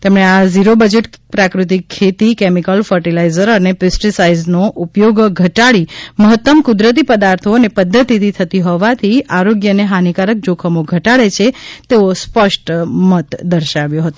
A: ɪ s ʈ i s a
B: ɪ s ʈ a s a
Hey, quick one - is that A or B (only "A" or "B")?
A